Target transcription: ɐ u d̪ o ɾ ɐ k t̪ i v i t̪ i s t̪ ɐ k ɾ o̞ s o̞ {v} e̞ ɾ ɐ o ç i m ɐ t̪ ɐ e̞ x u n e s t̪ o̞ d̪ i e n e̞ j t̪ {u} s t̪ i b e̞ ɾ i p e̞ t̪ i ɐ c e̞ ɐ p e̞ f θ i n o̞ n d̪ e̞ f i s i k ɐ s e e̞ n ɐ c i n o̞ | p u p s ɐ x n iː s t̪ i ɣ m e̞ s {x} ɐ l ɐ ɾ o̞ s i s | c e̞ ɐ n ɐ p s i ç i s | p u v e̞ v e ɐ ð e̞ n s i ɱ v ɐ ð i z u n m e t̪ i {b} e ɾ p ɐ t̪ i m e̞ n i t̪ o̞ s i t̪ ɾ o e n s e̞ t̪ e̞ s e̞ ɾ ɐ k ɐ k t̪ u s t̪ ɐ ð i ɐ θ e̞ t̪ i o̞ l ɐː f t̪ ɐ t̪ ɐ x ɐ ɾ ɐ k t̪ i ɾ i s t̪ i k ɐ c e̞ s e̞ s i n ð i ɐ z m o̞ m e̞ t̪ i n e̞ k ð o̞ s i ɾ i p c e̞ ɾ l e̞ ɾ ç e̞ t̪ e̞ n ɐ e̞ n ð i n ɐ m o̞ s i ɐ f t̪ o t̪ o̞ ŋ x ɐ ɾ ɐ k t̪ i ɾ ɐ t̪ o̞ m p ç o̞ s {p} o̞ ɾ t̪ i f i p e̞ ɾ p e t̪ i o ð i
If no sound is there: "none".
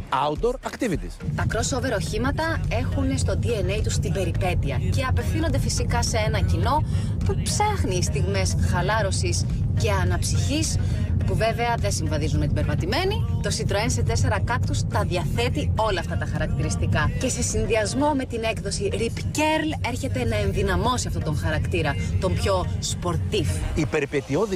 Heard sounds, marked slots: v, u, x, b, p

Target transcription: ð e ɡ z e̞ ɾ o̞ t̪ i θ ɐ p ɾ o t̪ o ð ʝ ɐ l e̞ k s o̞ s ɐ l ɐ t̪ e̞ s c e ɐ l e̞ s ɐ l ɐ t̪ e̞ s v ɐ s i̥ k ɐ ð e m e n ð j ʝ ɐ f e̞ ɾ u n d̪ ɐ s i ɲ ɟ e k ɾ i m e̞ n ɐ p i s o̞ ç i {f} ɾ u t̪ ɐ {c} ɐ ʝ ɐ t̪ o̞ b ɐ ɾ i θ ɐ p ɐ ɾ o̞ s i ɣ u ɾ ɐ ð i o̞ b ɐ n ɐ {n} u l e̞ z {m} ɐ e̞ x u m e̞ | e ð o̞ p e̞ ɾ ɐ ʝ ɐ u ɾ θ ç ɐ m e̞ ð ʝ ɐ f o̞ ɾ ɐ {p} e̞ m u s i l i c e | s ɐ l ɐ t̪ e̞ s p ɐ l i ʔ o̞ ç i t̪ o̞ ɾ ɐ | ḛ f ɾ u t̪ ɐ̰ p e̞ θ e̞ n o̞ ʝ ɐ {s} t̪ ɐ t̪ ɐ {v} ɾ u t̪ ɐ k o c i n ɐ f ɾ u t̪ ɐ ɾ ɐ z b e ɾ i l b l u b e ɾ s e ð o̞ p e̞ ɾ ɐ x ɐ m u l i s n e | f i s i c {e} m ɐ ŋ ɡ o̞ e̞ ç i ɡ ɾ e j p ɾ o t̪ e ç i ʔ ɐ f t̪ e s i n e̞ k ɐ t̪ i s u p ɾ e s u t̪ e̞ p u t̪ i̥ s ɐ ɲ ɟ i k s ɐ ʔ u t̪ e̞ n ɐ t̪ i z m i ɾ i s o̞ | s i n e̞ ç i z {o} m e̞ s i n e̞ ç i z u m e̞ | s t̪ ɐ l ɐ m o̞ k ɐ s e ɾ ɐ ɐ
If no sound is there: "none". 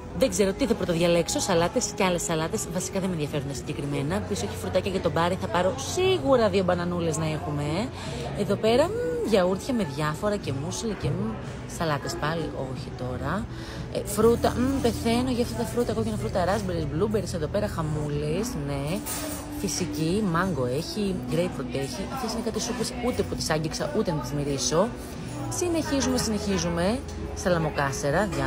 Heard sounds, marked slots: f, c, n, n, c, f, f, i, u

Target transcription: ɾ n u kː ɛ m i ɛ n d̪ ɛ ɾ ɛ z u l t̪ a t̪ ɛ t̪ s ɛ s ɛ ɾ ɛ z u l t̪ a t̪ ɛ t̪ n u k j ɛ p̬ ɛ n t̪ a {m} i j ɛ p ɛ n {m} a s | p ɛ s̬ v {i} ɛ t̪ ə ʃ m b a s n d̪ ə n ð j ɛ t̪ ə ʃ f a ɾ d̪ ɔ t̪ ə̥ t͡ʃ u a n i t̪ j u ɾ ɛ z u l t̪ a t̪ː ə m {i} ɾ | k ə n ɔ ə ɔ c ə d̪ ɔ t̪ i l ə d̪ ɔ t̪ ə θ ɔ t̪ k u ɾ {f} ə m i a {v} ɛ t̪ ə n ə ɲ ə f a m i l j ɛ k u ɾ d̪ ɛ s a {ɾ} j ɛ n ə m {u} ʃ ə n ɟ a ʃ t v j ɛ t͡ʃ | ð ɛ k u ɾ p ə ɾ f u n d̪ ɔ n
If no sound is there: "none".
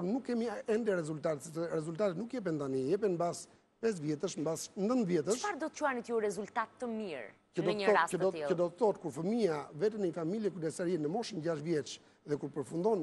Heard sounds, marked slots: n, b, j, i, f, v, ɾ, ɔ

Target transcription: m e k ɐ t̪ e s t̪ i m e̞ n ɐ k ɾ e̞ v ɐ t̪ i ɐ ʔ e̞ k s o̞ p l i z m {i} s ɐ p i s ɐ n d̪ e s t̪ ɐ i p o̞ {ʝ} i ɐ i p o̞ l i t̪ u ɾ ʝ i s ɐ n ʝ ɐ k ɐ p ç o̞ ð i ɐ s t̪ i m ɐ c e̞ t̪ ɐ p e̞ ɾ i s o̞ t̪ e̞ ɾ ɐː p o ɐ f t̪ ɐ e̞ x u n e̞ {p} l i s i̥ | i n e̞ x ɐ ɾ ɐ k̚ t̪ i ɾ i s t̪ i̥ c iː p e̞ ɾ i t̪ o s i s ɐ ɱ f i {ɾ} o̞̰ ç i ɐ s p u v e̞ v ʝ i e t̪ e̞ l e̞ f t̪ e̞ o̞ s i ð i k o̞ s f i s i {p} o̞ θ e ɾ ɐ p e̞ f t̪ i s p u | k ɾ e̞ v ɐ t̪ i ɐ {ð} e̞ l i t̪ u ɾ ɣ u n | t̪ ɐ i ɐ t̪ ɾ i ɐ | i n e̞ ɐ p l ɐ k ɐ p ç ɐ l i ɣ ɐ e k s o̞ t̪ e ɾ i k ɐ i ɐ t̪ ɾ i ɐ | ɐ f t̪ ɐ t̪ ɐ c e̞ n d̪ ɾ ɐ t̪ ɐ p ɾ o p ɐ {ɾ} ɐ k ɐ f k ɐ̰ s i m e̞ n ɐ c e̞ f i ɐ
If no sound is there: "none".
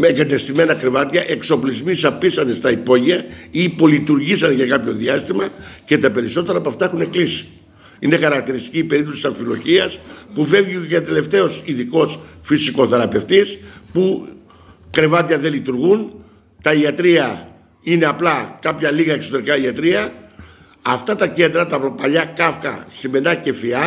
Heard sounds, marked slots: i, ʝ, k, l, k, ð, ʎ

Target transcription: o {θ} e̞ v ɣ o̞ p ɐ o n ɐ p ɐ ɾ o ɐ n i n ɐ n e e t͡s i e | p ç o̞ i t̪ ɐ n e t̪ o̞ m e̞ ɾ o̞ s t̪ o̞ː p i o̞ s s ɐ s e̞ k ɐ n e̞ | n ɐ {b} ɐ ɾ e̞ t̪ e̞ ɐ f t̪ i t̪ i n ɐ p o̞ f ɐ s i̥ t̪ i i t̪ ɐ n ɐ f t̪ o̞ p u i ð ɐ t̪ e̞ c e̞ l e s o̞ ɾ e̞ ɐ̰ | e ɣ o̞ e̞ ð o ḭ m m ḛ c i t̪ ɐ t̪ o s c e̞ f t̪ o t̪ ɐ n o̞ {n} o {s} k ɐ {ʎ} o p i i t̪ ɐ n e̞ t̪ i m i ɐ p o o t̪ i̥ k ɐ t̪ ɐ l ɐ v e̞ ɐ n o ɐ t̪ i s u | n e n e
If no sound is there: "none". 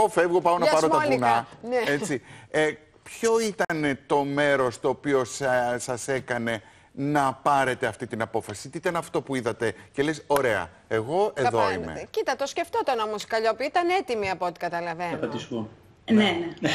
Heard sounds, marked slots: f, p, m, s, ʎ

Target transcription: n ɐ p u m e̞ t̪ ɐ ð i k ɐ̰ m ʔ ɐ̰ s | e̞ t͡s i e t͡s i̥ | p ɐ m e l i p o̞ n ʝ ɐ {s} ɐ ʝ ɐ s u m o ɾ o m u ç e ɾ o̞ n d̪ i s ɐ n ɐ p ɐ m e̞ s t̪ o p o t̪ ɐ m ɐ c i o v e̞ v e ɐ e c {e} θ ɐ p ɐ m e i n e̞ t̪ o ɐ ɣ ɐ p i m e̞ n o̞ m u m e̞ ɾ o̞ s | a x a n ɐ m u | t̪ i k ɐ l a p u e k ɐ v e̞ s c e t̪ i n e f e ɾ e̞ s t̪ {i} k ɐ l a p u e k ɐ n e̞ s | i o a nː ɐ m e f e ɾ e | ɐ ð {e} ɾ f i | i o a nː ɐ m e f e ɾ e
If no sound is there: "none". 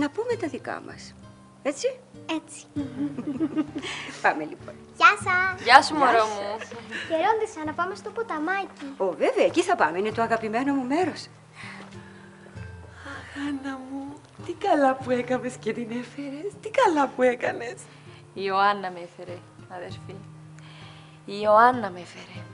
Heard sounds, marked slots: s, i, i, e

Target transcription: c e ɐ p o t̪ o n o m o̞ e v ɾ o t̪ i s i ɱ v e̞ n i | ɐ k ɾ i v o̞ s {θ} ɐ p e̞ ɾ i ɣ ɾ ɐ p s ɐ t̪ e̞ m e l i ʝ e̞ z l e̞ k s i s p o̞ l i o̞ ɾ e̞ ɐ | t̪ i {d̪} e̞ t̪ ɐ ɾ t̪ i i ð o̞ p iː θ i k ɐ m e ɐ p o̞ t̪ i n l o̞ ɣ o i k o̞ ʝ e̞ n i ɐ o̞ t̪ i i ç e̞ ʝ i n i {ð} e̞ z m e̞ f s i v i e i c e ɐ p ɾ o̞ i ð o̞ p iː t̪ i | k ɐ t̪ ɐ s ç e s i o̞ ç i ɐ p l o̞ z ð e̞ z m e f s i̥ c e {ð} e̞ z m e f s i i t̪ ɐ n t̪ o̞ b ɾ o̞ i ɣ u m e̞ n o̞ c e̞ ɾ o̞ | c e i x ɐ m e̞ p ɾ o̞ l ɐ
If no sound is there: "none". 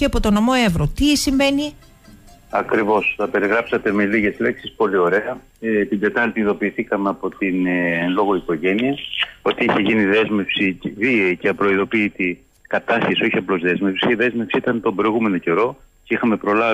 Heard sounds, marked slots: θ, d̪, ð, ð

